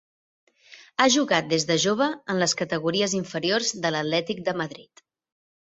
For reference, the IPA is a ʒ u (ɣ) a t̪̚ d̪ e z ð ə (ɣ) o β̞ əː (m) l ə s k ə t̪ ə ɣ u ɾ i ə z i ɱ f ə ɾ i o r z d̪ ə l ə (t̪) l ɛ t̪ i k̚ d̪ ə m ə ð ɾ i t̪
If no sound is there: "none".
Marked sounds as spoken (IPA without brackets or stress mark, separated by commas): ɣ, ʒ, n, t̪